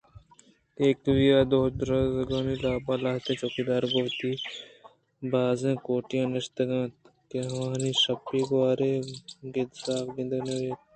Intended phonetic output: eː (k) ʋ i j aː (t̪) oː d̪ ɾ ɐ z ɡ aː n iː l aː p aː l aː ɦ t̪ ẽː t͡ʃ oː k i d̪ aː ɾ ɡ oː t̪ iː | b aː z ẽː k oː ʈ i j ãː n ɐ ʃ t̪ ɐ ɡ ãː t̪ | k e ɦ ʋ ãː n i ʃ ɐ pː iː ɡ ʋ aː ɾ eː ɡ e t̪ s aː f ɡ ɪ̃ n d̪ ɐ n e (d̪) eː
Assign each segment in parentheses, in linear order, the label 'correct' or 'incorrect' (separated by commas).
correct, incorrect, incorrect